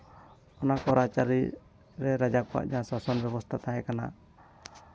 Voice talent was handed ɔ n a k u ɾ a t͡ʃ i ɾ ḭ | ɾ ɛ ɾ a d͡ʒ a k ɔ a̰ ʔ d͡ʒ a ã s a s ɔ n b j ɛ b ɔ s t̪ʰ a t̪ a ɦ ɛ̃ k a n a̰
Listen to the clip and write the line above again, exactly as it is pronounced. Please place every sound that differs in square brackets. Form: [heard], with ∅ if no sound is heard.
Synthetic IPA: ɔ n a k [ɔ] ɾ a t͡ʃ [a] ɾ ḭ | ɾ ɛ ɾ a d͡ʒ a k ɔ a̰ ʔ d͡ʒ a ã s a s ɔ n b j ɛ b ɔ s t̪ʰ a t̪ a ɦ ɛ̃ k a n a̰